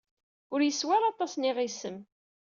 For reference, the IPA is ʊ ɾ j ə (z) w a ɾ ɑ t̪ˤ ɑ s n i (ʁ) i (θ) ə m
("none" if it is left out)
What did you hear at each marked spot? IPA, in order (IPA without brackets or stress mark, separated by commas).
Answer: s, ʁ, s